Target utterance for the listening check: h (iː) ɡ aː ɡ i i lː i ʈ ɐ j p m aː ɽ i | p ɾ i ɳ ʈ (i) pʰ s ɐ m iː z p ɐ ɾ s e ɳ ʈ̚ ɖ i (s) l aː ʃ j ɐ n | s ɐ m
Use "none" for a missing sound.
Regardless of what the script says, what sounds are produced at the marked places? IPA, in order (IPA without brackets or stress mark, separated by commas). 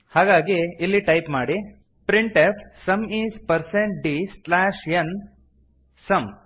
aː, e, s